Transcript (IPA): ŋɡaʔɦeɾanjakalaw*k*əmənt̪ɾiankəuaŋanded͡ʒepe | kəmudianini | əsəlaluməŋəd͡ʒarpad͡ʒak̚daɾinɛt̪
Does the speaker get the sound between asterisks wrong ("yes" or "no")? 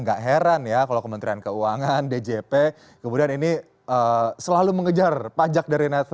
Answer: no